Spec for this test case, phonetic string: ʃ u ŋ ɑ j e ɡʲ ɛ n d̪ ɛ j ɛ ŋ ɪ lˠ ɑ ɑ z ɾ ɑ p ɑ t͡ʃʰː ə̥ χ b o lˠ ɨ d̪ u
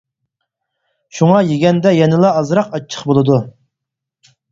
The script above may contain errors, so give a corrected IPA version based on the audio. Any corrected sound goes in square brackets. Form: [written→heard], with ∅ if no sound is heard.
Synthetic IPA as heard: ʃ u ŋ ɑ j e ɡʲ ɛ n d̪ ɛ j ɛ [ŋ→n] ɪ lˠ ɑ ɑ z ɾ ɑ [p→q] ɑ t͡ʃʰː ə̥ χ b o lˠ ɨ d̪ u